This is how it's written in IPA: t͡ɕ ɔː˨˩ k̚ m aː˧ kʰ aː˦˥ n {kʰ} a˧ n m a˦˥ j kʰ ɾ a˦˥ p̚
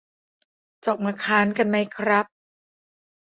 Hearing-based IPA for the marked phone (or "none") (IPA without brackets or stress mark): k